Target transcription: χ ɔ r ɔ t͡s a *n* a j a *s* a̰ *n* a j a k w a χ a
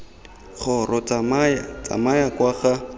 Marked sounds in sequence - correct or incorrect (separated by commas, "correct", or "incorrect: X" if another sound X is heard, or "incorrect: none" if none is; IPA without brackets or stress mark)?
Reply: incorrect: m, incorrect: t͡s, incorrect: m